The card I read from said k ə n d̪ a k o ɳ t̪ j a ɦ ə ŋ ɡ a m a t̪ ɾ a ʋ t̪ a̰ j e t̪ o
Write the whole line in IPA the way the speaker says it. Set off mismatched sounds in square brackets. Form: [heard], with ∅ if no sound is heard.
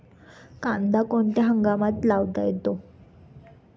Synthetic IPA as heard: k [a] n d̪ a k o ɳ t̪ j a ɦ ə ŋ ɡ a m a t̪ [l] a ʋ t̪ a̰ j e t̪ o